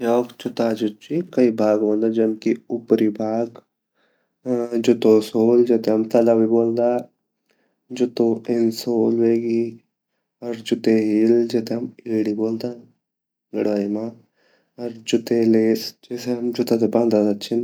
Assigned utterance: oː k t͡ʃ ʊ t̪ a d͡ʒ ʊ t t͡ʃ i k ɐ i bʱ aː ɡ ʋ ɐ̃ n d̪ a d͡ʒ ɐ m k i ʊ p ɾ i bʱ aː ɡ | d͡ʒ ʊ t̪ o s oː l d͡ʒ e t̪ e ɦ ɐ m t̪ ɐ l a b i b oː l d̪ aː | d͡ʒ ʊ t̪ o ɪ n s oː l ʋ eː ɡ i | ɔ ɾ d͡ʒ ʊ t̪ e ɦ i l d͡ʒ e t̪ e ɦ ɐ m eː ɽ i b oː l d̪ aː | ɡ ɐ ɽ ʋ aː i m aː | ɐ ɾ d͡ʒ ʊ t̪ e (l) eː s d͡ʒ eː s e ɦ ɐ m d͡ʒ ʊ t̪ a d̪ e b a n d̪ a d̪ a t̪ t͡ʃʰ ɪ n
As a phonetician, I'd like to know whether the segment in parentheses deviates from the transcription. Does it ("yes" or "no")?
no